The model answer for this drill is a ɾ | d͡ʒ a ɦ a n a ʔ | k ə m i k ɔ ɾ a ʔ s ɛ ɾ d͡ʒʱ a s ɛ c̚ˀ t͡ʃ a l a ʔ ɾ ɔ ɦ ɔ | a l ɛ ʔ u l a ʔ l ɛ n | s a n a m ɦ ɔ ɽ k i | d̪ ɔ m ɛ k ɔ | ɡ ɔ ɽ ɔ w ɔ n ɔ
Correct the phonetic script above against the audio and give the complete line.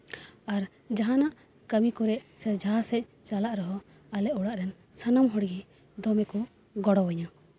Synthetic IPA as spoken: a ɾ | d͡ʒ a ɦ a n a ʔ | k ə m i k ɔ ɾ ɛ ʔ s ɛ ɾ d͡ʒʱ a s ɛ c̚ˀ t͡ʃ a l a ʔ ɾ ɔ ɦ ɔ | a l ɛ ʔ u ɽ a ʔ ɾ ɛ n | s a n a m ɦ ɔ ɽ ɡ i | d̪ ɔ m ɛ k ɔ | ɡ ɔ ɽ ɔ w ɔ ɲ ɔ